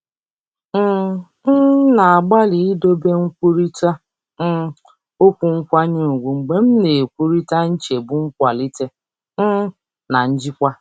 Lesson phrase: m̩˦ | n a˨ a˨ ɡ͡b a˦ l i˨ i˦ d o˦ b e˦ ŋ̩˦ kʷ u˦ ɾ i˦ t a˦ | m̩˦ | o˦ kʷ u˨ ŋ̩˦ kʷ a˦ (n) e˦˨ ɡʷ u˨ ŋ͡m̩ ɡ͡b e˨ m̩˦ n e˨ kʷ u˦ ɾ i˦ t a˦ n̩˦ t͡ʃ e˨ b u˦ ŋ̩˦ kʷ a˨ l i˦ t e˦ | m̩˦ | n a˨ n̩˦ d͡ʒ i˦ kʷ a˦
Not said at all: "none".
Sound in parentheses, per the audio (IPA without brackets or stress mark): ɲ